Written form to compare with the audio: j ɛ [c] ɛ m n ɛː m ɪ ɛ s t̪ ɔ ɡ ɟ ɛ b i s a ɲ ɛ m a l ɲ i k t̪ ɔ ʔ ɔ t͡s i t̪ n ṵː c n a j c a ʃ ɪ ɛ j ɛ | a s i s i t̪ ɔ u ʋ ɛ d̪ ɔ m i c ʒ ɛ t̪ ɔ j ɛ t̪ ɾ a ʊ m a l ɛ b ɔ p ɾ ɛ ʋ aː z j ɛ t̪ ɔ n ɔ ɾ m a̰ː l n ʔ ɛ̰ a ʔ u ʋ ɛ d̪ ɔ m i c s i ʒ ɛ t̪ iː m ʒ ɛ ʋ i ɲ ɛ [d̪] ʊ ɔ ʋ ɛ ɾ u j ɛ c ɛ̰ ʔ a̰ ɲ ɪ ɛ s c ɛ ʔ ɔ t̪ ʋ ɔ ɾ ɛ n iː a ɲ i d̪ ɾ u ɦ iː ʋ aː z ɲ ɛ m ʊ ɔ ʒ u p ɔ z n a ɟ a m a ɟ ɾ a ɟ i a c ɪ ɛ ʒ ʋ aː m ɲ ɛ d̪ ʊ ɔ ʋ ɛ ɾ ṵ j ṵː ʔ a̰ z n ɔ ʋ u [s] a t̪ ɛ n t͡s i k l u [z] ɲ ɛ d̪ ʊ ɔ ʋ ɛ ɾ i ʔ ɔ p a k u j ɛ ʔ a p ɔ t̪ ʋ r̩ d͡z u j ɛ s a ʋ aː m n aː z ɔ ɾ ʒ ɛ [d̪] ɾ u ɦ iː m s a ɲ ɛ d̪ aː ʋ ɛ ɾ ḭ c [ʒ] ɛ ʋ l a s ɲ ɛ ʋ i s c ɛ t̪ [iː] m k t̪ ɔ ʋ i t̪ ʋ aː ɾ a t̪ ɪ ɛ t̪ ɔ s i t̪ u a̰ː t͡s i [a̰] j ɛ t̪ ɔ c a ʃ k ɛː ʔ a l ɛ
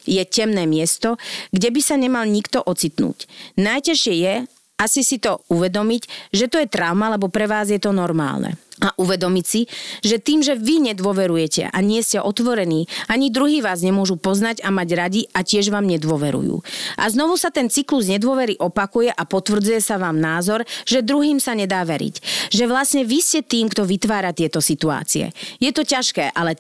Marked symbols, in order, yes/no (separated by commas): yes, yes, yes, yes, yes, yes, yes, no